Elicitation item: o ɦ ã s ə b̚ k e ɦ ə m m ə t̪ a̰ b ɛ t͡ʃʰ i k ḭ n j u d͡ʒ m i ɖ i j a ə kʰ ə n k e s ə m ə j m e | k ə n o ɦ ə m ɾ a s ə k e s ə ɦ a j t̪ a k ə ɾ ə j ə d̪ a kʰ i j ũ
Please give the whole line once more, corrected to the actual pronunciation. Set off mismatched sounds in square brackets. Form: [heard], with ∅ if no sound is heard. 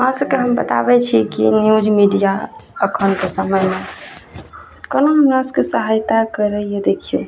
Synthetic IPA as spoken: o ɦ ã s ə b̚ k e ɦ ə m [b] ə t̪ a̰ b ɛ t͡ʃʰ i k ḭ n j u d͡ʒ m i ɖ i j a ə kʰ ə n k e s ə m ə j m e | k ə n o ɦ ə m ɾ a s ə k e s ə ɦ a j t̪ a k ə ɾ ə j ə d̪ [e] kʰ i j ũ

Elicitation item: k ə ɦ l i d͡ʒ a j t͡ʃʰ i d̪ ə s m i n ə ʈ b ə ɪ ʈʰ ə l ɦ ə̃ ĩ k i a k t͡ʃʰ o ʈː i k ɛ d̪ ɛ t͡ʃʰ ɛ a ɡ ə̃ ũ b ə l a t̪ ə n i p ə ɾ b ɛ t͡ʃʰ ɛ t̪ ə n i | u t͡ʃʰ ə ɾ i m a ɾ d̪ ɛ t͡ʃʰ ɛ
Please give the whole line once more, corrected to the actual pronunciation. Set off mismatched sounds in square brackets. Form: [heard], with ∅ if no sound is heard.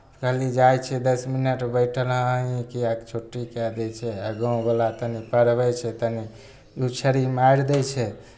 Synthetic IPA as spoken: k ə ɦ l i d͡ʒ a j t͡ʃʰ [ɛ] d̪ ə s m i n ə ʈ b ə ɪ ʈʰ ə l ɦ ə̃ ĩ k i a k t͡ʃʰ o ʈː i k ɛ d̪ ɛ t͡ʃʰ ɛ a ɡ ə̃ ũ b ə l a t̪ ə n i p ə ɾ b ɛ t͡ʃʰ ɛ t̪ ə n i | u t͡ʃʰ ə ɾ i m a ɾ d̪ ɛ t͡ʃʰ ɛ

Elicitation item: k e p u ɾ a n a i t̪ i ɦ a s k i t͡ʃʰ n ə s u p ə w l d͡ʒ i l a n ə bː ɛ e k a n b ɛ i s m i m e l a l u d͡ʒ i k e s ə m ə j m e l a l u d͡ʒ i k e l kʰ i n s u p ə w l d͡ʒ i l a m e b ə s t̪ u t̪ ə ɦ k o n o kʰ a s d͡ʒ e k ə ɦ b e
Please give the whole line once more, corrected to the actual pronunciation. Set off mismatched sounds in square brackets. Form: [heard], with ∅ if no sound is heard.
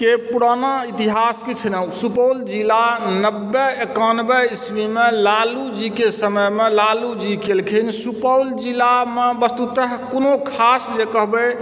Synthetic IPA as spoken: k e p u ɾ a n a i t̪ i ɦ a s k i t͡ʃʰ n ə s u p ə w l d͡ʒ i l a n ə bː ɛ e k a n b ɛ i s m i m e l a l u d͡ʒ i k e s ə m ə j m e l a l u d͡ʒ i k e l kʰ i n s u p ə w l d͡ʒ i l a m e b ə s t̪ u t̪ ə ɦ k o n o kʰ a s d͡ʒ e k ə ɦ b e

